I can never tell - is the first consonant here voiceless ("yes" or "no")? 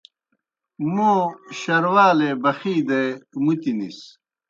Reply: no